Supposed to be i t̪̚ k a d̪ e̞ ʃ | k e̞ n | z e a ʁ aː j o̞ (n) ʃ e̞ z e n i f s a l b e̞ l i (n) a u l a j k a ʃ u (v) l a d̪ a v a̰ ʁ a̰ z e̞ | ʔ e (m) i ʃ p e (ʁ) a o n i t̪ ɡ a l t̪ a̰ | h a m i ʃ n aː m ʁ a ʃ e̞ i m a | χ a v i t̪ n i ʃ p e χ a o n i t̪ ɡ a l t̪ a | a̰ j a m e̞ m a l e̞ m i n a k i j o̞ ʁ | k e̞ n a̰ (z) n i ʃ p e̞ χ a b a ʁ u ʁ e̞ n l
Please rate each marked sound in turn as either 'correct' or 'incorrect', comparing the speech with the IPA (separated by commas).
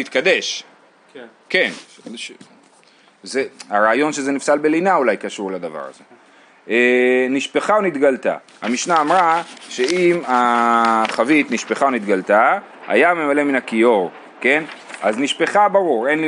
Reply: correct, correct, incorrect, incorrect, incorrect, correct